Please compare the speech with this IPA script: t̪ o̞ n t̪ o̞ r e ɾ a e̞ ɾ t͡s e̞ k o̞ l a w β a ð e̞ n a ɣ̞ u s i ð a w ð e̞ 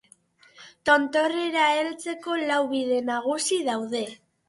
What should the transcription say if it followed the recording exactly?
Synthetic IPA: t̪ o̞ n t̪ o̞ r e ɾ a e̞ l t͡s e̞ k o̞ l a w β i ð e̞ n a ɣ̞ u s i ð a w ð e̞